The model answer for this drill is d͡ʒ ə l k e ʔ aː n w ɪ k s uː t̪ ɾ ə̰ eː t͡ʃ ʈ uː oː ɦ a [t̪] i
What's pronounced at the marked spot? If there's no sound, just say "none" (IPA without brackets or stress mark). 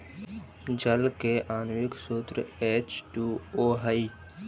none